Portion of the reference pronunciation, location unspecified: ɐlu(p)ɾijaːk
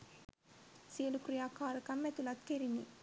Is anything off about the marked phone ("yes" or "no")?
yes